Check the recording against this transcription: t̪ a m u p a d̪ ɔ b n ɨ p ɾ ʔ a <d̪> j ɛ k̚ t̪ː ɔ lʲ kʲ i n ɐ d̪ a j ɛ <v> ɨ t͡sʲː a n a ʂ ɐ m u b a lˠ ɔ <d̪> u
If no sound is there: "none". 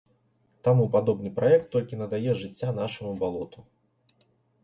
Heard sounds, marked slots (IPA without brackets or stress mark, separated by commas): none, ʐ, t̪